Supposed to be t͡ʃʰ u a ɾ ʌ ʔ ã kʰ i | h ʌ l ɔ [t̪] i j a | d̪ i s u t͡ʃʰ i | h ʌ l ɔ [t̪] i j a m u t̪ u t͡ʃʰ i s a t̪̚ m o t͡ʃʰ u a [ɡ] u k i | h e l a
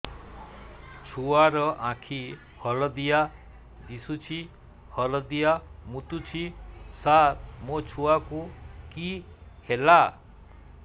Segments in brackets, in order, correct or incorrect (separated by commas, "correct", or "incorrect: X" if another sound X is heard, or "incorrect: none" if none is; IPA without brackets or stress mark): incorrect: d̪, incorrect: d̪, incorrect: k